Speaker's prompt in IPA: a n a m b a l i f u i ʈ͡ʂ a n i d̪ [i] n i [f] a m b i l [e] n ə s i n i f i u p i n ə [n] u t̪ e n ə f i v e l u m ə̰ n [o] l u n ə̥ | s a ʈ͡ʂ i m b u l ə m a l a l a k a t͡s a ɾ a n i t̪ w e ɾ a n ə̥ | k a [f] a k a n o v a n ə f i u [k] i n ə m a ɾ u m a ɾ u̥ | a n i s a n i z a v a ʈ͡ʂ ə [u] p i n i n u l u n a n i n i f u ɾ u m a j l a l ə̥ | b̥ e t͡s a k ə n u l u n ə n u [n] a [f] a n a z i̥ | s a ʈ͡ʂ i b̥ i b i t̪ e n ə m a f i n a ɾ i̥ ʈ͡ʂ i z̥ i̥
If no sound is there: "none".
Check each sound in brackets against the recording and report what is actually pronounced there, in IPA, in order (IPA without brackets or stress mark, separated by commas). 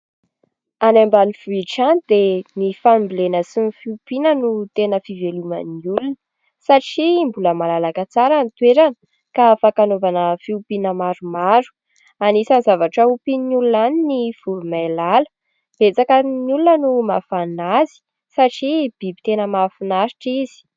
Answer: e, f, e, n, u, f, p, u, m, f